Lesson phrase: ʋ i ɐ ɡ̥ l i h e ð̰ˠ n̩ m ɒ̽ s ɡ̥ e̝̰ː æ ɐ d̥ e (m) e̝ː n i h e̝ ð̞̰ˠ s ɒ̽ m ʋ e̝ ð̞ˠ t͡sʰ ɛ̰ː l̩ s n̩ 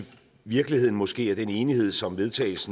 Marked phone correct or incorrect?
incorrect